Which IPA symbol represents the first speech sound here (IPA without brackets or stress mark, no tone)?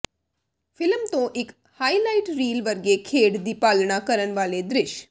f